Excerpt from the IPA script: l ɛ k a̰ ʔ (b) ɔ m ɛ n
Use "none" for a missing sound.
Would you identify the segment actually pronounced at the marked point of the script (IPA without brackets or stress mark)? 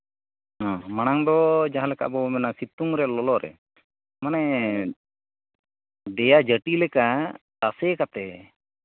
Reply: b